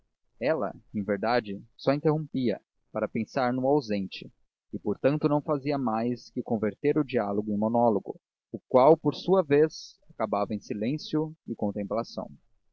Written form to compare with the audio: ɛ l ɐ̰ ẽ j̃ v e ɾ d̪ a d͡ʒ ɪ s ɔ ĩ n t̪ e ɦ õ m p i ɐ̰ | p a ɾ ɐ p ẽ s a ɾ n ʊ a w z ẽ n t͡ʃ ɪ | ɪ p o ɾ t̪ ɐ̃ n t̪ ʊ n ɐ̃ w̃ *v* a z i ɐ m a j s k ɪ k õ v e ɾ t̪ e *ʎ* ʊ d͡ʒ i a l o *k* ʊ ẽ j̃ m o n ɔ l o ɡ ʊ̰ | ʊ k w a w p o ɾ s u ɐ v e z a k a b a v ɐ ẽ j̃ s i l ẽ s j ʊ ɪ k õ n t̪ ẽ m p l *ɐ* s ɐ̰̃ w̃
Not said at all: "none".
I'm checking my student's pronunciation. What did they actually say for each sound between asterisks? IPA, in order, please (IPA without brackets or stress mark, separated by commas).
f, ɾ, ɡ, a